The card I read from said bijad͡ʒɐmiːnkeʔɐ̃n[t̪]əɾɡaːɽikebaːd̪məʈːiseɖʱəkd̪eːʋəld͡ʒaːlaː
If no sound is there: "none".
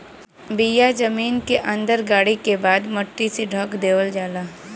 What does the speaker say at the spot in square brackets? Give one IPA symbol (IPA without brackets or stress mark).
d̪